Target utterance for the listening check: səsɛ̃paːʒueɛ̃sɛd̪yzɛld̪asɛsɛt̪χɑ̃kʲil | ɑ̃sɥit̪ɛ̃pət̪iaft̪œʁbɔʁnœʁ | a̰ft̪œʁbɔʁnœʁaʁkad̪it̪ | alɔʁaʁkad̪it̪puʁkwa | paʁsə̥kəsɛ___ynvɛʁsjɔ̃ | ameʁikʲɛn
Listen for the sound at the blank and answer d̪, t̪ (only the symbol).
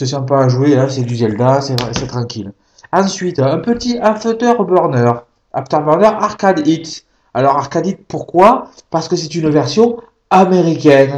t̪